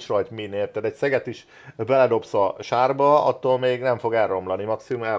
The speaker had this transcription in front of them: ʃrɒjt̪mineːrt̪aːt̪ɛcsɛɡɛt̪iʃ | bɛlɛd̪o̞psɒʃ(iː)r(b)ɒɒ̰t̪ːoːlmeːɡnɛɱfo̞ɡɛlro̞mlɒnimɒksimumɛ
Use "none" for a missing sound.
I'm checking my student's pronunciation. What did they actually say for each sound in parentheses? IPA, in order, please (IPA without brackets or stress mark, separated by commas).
aː, b